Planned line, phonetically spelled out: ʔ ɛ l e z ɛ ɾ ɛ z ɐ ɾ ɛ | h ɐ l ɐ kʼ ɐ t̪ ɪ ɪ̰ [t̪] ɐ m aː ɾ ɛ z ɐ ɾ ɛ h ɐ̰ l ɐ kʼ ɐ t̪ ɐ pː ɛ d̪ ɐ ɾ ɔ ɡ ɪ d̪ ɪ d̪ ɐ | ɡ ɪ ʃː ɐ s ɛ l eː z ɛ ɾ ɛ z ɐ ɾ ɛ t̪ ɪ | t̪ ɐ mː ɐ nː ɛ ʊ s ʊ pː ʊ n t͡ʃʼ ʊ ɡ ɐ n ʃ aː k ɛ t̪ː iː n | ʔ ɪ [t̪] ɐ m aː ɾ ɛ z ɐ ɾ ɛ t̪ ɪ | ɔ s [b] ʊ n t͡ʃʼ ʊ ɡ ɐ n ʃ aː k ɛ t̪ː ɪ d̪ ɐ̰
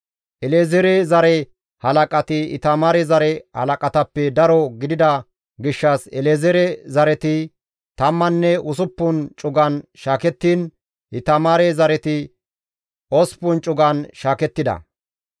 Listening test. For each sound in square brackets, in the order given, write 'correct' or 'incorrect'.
correct, correct, incorrect

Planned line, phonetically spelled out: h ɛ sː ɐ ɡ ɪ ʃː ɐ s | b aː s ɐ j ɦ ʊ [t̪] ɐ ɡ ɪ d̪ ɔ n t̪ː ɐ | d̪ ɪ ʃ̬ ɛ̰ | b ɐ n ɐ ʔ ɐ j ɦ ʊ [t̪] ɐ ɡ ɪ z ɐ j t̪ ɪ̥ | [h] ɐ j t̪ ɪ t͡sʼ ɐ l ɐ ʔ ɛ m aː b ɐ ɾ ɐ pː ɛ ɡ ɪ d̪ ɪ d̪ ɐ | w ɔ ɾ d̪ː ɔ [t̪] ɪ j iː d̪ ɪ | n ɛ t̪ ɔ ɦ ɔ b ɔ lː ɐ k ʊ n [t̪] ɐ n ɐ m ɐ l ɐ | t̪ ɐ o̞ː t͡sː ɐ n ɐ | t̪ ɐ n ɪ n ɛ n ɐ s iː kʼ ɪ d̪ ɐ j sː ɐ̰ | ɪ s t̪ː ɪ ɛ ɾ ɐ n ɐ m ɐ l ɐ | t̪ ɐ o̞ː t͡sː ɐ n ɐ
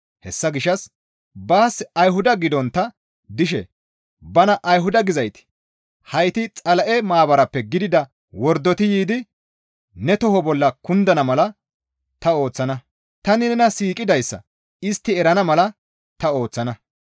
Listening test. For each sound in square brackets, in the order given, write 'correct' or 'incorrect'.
incorrect, incorrect, correct, correct, incorrect

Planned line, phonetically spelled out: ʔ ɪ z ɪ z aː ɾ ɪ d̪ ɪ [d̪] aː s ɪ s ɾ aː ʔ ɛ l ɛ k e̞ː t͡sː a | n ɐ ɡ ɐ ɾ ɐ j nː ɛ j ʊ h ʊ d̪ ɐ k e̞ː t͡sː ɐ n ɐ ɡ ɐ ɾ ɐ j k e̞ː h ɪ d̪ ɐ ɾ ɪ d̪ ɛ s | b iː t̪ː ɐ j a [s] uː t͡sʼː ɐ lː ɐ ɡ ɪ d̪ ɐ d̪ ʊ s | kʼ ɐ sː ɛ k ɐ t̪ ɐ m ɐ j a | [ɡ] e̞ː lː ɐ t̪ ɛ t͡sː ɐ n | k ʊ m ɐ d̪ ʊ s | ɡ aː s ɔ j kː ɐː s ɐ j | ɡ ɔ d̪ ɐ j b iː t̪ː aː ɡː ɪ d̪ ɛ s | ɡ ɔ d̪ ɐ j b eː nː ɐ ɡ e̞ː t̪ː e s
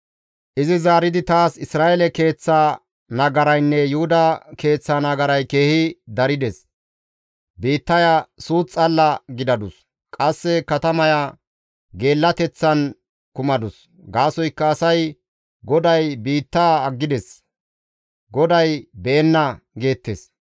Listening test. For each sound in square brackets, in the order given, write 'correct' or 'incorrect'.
incorrect, correct, correct

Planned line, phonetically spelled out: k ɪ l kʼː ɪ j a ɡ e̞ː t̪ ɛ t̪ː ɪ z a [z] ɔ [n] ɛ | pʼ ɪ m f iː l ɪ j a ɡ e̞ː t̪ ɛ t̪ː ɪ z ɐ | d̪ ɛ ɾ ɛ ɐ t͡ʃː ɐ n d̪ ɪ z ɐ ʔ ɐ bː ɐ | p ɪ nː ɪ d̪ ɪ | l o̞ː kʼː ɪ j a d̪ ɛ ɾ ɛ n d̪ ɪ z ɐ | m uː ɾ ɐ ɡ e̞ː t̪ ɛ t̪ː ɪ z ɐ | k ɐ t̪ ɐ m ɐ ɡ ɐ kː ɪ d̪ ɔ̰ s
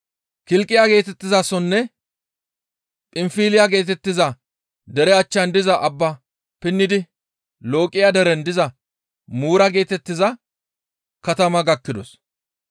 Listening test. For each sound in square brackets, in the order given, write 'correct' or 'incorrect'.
incorrect, incorrect

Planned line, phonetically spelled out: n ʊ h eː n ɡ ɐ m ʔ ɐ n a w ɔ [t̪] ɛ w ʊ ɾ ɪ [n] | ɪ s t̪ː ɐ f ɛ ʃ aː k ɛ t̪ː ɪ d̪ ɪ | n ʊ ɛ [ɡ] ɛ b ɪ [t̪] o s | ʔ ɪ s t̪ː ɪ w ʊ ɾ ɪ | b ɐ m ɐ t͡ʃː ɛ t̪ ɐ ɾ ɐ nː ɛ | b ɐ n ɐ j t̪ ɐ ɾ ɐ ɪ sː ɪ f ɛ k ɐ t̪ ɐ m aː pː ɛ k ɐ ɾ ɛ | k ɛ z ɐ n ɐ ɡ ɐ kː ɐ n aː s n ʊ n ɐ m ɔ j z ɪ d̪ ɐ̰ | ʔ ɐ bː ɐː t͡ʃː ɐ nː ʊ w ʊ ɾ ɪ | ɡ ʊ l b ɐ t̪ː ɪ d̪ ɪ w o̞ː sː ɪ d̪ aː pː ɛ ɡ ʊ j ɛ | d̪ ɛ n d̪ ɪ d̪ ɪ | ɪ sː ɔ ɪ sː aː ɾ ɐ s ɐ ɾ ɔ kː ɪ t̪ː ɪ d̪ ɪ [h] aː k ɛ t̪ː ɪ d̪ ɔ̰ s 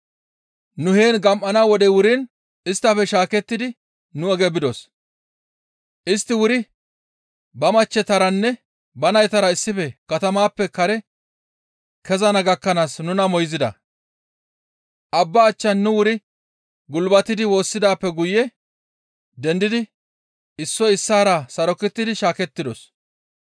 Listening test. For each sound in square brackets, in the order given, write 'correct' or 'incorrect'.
incorrect, correct, correct, incorrect, incorrect

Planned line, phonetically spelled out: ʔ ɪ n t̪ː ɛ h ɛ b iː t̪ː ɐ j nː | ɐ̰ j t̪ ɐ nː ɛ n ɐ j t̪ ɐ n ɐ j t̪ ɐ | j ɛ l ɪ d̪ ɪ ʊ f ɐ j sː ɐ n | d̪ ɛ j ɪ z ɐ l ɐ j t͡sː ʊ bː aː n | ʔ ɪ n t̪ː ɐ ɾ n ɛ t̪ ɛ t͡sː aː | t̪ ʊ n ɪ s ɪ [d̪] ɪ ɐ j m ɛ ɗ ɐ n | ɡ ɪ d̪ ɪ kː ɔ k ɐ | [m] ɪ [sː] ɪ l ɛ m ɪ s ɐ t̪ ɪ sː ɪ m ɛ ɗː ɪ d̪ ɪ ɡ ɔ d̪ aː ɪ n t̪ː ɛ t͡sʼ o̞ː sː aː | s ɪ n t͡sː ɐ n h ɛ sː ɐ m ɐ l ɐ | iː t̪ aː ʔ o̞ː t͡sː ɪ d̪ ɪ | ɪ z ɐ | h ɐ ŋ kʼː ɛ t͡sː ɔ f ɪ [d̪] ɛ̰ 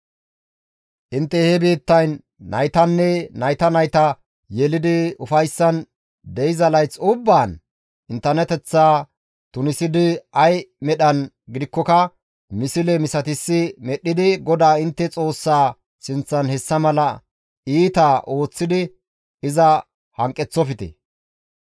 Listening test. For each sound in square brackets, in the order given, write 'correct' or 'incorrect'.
correct, correct, incorrect, incorrect

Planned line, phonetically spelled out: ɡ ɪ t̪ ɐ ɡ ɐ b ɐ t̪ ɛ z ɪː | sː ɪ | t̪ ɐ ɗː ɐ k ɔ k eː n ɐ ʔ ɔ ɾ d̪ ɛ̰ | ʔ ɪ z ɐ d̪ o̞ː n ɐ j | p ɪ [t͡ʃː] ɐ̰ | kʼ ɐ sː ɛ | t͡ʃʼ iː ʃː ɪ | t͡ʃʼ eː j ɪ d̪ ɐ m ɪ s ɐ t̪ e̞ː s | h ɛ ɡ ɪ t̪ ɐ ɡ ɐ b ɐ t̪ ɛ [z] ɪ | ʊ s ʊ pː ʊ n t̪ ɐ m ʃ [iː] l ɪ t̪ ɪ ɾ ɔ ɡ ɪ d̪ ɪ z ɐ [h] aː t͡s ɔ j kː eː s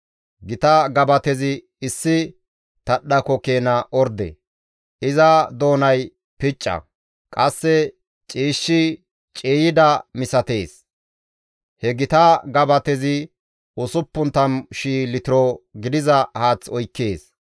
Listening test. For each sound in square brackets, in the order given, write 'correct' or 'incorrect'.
incorrect, correct, correct, correct

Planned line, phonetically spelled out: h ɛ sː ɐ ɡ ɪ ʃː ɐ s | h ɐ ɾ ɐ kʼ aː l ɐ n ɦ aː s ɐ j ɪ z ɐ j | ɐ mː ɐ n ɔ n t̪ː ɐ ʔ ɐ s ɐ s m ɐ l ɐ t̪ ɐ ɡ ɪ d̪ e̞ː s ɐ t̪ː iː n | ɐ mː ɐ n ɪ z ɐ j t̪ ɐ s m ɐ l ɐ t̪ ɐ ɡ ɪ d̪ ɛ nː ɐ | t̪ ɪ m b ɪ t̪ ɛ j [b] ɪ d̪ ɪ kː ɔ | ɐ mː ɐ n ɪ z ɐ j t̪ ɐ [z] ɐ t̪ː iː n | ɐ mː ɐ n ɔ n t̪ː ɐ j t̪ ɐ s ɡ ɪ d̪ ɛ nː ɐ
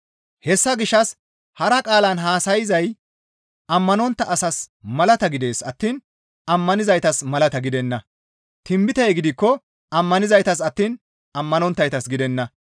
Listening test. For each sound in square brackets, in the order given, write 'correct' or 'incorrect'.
incorrect, incorrect

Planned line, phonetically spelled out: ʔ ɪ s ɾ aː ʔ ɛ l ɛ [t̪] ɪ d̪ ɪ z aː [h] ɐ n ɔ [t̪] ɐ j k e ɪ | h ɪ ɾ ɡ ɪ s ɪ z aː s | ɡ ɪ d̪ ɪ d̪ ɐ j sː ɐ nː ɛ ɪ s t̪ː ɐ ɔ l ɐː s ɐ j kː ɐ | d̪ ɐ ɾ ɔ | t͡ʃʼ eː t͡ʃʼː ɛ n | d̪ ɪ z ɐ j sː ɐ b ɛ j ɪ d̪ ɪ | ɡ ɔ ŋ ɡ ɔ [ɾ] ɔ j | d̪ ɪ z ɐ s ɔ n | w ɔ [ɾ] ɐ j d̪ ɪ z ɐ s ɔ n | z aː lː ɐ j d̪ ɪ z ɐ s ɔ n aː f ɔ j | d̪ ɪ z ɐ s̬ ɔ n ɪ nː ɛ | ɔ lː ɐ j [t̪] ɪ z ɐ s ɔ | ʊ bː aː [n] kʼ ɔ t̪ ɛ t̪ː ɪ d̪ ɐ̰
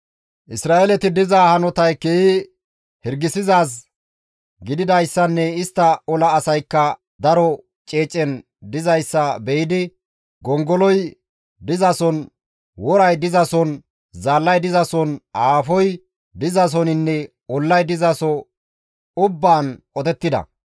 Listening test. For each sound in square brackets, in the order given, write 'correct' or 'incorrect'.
correct, correct, correct, incorrect, correct, incorrect, correct

